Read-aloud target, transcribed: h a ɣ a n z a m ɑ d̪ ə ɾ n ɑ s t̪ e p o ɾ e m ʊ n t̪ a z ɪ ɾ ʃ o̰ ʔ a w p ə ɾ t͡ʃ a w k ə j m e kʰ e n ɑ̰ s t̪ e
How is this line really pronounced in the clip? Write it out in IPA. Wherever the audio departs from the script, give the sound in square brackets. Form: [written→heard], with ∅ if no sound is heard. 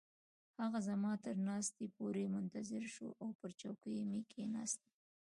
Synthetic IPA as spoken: h a ɣ a [n→∅] z a m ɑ [d̪→t̪] ə ɾ n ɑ s t̪ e p o ɾ e m ʊ n t̪ a z ɪ ɾ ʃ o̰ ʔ a w p ə ɾ t͡ʃ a w k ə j m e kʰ e n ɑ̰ s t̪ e